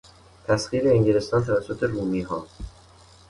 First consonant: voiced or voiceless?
voiceless